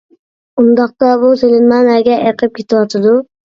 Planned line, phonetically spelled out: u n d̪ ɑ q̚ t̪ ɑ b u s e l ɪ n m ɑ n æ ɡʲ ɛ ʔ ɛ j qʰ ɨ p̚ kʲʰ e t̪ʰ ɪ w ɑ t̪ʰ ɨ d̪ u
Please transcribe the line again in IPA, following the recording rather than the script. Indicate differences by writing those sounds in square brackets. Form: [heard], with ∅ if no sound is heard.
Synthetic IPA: u n d̪ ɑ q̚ t̪ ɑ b u s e l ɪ n m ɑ n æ ɡʲ ɛ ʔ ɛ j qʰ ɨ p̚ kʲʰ e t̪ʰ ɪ w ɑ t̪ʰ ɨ d̪ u

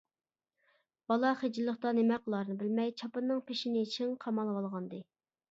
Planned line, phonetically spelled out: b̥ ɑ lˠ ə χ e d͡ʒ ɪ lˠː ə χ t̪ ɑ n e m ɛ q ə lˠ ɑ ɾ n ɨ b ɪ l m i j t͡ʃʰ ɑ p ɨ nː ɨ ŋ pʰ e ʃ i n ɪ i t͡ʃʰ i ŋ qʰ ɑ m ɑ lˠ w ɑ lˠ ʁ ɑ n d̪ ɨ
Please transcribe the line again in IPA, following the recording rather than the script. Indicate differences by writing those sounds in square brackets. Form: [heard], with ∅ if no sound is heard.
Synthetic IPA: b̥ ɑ lˠ [ɑ] χ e d͡ʒ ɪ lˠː ə χ t̪ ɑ n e m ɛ q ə lˠ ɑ ɾ n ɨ b ɪ l m [ɛ] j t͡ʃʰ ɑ p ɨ nː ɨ ŋ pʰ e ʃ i n ɪ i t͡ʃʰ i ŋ qʰ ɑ m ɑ lˠ w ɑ lˠ ʁ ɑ n d̪ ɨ

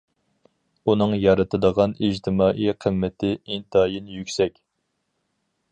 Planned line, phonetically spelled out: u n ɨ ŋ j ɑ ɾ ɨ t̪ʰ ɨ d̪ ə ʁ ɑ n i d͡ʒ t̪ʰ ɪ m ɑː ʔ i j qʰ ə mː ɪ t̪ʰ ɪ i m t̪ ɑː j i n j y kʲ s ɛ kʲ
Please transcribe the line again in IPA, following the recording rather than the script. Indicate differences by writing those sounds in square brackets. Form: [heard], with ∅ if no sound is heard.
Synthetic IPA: u n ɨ ŋ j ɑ ɾ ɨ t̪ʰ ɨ d̪ ə ʁ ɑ n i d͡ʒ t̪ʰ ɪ m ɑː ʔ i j qʰ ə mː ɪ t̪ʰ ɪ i [n] t̪ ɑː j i n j y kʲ s ɛ kʲ

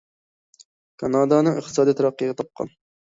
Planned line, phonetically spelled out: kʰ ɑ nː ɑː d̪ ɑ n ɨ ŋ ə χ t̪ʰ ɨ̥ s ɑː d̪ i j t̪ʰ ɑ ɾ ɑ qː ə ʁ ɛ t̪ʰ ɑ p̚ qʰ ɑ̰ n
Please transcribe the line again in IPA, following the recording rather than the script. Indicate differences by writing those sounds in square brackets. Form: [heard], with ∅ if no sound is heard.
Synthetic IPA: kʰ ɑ [n] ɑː d̪ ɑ n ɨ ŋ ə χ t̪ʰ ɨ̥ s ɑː d̪ i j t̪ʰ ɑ ɾ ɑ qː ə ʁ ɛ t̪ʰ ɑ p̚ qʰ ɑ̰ n

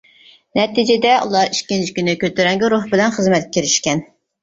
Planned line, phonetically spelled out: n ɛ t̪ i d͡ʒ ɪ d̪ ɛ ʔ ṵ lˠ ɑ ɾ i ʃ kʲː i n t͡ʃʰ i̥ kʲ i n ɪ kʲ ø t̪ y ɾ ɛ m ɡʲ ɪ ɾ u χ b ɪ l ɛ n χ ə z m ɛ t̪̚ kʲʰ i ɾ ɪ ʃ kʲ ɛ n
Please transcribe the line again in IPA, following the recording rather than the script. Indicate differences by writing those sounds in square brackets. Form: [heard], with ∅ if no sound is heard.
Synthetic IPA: n ɛ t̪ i d͡ʒ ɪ d̪ ɛ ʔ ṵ lˠ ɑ ɾ i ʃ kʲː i n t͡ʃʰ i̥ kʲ [y] n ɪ kʲ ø t̪ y ɾ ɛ [ŋ] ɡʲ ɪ ɾ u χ b ɪ l ɛ n χ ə z m ɛ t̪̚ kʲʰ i ɾ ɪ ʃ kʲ ɛ n

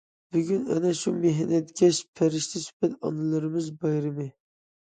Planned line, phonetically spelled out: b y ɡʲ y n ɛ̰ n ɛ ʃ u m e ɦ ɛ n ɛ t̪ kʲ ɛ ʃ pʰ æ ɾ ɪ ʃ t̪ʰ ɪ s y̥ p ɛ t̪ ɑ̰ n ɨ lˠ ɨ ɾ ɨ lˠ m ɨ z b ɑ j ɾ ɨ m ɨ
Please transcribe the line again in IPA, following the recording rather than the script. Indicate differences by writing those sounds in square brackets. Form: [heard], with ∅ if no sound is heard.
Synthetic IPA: b y ɡʲ y n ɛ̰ n ɛ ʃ u m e ɦ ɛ n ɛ t̪ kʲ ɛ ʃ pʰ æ ɾ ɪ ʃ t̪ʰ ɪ s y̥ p ɛ t̪ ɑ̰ n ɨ lˠ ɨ ɾ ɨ [∅] m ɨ z b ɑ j ɾ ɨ m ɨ

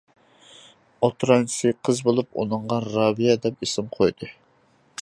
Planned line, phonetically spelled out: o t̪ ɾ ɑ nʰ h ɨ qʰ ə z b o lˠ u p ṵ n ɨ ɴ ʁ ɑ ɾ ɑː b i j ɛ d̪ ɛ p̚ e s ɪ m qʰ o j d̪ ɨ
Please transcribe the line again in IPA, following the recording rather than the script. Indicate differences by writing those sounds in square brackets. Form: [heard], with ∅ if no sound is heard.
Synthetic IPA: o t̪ ɾ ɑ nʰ [s] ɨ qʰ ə z b o lˠ u p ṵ n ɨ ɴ ʁ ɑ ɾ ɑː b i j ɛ d̪ ɛ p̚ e s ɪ m qʰ o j d̪ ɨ

